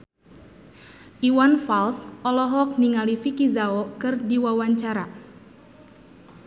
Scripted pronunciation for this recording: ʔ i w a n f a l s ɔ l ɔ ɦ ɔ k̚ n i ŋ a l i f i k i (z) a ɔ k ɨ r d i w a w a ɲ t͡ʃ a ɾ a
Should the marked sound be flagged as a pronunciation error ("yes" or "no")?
no